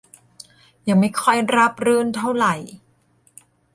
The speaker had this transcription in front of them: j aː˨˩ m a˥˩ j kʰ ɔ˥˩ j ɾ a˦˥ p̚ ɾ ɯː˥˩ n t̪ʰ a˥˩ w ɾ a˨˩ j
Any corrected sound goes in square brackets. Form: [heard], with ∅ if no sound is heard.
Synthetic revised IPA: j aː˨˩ m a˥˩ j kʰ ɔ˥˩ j ɾ a˦˥ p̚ ɾ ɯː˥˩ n t̪ʰ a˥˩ w ɾ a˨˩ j

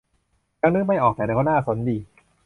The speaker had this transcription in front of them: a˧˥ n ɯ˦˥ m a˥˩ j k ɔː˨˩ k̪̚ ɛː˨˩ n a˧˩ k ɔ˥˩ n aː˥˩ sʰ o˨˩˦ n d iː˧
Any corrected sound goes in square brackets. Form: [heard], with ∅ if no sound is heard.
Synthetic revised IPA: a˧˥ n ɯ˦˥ m a˥˩ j [ʔ] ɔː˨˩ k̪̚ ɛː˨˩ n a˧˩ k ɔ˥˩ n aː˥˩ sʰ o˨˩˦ n d iː˧

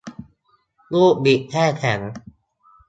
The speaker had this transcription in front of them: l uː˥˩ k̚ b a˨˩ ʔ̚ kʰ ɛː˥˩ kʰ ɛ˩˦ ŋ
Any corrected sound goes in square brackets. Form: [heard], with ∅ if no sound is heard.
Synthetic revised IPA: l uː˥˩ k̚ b [i˨˩] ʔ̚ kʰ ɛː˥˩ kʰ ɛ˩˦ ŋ

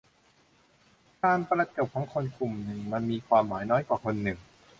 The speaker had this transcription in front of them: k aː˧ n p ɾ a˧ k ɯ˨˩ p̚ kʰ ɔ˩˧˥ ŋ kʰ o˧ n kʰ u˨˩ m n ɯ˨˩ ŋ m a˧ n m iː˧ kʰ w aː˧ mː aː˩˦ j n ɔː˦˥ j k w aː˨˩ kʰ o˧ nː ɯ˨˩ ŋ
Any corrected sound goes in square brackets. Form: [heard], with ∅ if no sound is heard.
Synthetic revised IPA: k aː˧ n p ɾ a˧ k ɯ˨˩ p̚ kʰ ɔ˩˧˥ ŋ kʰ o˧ n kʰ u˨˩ m n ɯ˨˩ ŋ m a˧ n m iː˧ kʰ w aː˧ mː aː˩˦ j n ɔː˦˥ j k w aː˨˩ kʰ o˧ nː ɯ˨˩ ŋ

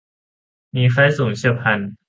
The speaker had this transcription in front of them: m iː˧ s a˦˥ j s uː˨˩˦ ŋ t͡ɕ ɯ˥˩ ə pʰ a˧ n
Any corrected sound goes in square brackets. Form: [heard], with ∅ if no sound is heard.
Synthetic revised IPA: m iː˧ [f] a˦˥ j s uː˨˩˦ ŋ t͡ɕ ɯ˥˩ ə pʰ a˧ n

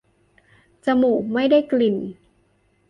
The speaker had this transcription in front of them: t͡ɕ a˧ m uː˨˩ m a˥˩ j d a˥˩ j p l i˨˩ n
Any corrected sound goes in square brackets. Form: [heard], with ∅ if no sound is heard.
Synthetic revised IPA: t͡ɕ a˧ m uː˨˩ m a˥˩ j d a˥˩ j [k] l i˨˩ n

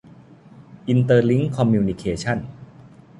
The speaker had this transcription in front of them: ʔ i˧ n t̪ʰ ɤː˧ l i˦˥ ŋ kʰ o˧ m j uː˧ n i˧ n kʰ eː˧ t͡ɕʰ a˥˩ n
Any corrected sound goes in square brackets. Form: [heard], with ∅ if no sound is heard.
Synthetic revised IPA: ʔ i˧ n [t̪] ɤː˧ l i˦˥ ŋ kʰ [ɔ˧] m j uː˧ n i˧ [∅] kʰ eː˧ t͡ɕʰ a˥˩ n

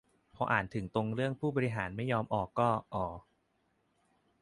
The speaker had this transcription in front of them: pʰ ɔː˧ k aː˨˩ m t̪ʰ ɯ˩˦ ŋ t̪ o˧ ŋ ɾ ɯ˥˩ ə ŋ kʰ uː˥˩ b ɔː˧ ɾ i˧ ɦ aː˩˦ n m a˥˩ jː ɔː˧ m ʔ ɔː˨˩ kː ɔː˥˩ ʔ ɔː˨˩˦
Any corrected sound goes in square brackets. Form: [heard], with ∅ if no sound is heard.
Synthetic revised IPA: pʰ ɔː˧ [ʔ] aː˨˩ [n] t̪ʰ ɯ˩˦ ŋ t̪ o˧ ŋ ɾ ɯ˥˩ ə ŋ [pʰ] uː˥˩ b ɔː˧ ɾ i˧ ɦ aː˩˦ n m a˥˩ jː ɔː˧ m ʔ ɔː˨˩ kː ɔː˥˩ ʔ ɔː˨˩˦

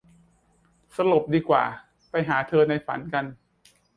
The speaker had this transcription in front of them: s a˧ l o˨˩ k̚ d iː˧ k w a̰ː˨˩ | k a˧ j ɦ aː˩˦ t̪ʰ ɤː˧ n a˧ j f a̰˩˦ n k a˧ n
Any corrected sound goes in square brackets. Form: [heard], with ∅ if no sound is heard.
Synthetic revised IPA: s a˧ l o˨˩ [p̚] d iː˧ k w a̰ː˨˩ | [p] a˧ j ɦ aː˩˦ t̪ʰ ɤː˧ n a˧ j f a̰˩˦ n k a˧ n

